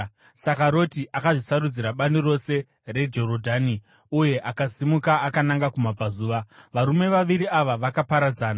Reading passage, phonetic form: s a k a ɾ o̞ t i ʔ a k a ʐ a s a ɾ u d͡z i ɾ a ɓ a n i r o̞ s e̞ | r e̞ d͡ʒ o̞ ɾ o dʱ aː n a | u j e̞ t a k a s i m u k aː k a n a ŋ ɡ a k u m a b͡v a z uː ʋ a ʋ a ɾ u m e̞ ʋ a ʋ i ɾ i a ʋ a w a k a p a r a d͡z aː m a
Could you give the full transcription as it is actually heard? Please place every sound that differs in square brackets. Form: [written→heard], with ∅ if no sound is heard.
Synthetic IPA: s a k a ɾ o̞ t i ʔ a k a ʐ [a→i] s a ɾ u d͡z i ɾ a ɓ a n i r o̞ s e̞ | r e̞ d͡ʒ o̞ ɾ o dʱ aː n [a→i] | u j e̞ [t→ʔ] a k a s i m u k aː k a n a ŋ ɡ a k u m a b͡v a z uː ʋ a ʋ a ɾ u m e̞ ʋ a ʋ i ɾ i a ʋ a [w→ʋ] a k a p a [r→ɾ] a d͡z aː [m→n] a

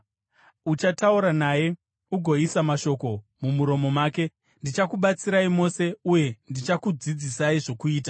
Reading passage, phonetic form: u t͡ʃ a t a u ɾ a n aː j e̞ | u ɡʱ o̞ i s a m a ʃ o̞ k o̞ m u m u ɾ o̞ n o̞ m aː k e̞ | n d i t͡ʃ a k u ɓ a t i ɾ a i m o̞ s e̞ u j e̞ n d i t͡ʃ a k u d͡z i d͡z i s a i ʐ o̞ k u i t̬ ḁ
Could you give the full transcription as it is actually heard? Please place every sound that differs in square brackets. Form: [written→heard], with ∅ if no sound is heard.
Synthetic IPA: u t͡ʃ a t a u ɾ a n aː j e̞ | u ɡʱ o̞ i s a m a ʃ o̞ k o̞ m u m u ɾ o̞ [n→m] o̞ m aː k e̞ | n d i t͡ʃ a k u ɓ a [t→t͡s] i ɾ a i m o̞ s e̞ u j e̞ n d i t͡ʃ a k u d͡z i d͡z i s a i ʐ o̞ k u [i→iː] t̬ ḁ

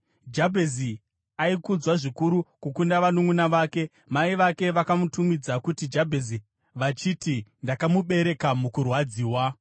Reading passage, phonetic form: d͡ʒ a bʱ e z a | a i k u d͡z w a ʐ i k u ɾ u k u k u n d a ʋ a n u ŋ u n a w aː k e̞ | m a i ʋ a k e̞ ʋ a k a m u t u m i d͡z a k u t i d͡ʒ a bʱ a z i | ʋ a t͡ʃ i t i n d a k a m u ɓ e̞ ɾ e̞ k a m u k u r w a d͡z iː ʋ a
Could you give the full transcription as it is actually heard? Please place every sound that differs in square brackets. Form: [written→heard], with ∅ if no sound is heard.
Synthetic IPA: d͡ʒ a bʱ e z [a→i] | a i k u d͡z w a ʐ i k u ɾ u k u k u n d a ʋ a n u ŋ u n a [w→ʋ] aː k e̞ | m a i ʋ a k e̞ ʋ a k a m u t u m i d͡z a k u t i d͡ʒ a bʱ [a→e] z i | ʋ a t͡ʃ i t i n d a k a m u ɓ e̞ ɾ e̞ k a m u k u r w a d͡z iː [ʋ→w] a

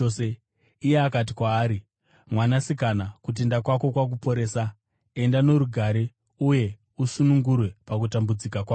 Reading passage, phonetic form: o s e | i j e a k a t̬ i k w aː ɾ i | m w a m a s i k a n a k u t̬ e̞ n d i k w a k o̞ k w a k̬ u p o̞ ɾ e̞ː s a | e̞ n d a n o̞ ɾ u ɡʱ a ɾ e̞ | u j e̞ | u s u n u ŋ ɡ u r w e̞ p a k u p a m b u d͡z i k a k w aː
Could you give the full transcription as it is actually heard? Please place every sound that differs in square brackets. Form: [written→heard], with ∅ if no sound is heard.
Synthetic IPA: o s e | i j e a k a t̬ i k w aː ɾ i | m w a [m→n] a s i k a n a k u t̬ e̞ n d [i→a] k w a k o̞ k w a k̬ u p o̞ ɾ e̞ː s a | e̞ n d a n o̞ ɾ u ɡʱ a ɾ e̞ | u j e̞ | u s u n u ŋ ɡ u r w e̞ p a k u [p→t] a m b u d͡z i k a k w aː

